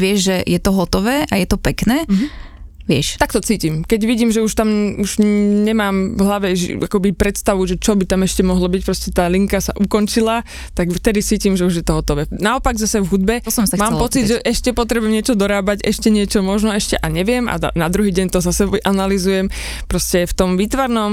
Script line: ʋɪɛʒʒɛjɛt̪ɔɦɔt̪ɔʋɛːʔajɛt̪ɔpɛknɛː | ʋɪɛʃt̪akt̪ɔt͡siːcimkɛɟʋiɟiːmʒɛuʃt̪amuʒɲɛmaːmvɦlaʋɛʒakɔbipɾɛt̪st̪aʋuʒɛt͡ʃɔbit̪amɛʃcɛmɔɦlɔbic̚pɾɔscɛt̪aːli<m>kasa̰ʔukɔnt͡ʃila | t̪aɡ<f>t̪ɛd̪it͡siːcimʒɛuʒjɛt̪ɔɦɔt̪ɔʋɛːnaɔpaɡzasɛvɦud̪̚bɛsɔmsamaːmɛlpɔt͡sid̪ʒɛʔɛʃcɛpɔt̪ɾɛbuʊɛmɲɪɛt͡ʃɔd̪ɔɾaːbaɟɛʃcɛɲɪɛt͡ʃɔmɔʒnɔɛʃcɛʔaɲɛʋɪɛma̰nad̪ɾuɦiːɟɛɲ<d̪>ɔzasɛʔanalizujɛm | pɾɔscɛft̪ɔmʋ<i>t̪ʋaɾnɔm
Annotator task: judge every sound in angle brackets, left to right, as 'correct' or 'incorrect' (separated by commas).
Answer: incorrect, correct, incorrect, incorrect